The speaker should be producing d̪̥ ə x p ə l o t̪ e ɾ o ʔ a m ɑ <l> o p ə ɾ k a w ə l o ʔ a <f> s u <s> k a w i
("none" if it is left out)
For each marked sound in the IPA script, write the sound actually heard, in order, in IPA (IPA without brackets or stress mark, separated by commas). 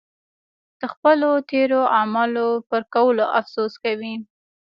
l, f, s